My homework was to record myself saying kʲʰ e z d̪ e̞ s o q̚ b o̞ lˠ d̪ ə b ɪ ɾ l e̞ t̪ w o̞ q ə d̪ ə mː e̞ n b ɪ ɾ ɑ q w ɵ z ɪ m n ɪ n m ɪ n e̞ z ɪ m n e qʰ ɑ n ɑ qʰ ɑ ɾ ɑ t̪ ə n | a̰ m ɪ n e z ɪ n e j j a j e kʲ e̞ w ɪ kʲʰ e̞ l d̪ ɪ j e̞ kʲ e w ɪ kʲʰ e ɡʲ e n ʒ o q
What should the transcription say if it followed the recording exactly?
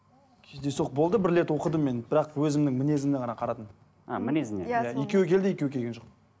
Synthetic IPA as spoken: kʲʰ e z d̪ e̞ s o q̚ b o̞ lˠ d̪ ə b ɪ ɾ l e̞ t̪ w o̞ q ə d̪ ə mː e̞ n b ɪ ɾ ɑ q w ɵ z ɪ m n ɪ ŋ m ɪ n e̞ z ɪ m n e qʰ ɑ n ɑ qʰ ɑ ɾ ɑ t̪ ə n | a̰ m ɪ n e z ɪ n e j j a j e kʲ e̞ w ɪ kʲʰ e̞ l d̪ ɪ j e̞ kʲ e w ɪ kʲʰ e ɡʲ e n ʒ o q